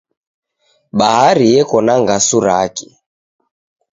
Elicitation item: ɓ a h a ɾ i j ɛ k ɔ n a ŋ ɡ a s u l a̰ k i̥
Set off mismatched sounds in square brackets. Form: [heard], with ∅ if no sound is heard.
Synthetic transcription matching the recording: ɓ a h a ɾ i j ɛ k ɔ n a ŋ ɡ a s u [ɾ] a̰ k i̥

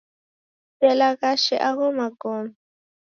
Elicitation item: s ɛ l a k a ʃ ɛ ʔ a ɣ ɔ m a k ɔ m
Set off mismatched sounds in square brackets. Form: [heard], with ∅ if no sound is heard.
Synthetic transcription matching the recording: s ɛ l a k a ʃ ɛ ʔ a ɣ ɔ m a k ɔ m

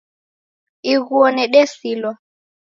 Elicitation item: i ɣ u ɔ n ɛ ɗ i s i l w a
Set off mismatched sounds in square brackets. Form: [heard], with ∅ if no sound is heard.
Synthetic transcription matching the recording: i ɣ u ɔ n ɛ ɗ [ɛ] s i l w a

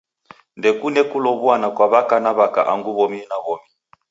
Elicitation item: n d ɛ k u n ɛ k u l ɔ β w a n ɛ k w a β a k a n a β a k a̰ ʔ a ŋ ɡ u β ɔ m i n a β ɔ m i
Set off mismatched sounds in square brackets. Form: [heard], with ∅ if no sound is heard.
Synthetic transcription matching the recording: n d ɛ k u n ɛ k u l ɔ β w a n [a] k w a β a k a n a β a k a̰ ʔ a ŋ ɡ u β ɔ m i n a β ɔ m i

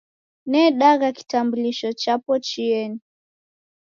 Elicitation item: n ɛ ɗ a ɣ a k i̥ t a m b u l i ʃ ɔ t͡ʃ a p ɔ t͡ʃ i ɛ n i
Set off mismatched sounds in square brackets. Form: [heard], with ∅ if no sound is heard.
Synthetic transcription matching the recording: n ɛ ɗ a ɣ a k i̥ t a m b u l i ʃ ɔ t͡ʃ a p ɔ t͡ʃ i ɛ n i

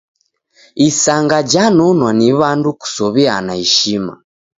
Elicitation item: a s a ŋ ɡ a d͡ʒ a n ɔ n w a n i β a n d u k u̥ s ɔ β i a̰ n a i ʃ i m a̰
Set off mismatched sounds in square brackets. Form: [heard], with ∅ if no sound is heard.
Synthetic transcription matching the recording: [i] s a ŋ ɡ a d͡ʒ a n ɔ n w a n i β a n d u k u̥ s ɔ β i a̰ n a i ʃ i m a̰

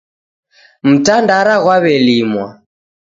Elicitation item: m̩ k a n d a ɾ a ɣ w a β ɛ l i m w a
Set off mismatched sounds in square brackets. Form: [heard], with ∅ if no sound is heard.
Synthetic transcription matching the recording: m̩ [t] a n d a ɾ a ɣ w a β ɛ l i m w a

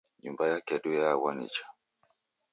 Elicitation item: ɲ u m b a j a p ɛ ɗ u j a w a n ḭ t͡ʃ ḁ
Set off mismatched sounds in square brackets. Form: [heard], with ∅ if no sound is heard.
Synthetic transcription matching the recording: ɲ u m b a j a [k] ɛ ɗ u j a w a n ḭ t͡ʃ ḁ

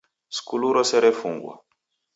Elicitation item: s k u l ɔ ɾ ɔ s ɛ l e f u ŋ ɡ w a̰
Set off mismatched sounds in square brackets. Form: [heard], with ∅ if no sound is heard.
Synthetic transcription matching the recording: s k u l [u] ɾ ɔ s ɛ [ɾ] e f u ŋ ɡ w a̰

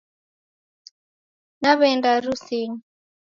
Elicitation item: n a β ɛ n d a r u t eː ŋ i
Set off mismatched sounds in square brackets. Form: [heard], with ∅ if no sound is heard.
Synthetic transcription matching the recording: n a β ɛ n d a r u [s] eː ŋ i

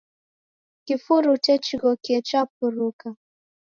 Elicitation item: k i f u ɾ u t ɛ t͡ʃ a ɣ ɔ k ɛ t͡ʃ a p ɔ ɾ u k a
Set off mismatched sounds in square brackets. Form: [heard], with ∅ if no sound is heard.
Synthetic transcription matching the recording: k i f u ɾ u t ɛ t͡ʃ [i] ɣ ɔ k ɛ t͡ʃ a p [u] ɾ u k a

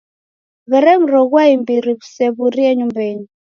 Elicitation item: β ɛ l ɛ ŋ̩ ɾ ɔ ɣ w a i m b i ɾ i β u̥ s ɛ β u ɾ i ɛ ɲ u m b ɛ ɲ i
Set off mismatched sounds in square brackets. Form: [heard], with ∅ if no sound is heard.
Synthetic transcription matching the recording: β ɛ [ɾ] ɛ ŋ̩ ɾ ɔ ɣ w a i m b i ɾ i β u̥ s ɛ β u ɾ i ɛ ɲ u m b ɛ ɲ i

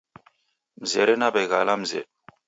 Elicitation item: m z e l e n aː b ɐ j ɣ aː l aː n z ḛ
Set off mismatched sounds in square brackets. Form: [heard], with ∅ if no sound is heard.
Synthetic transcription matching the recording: m z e [ɾ] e n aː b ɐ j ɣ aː l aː [m] z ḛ

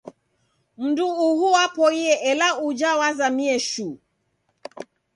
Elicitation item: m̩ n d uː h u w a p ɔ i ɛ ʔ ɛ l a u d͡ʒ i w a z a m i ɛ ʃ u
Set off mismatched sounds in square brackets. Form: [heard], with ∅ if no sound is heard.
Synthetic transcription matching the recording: m̩ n d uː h u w a p ɔ i ɛ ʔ ɛ l a u d͡ʒ [a] w a z a m i ɛ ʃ u

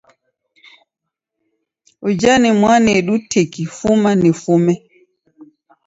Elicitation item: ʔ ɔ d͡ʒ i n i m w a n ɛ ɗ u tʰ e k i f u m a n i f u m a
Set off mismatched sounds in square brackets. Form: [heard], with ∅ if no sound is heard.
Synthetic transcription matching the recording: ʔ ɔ d͡ʒ [a] n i m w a n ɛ ɗ u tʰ e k i f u m a n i f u m [ɛ]

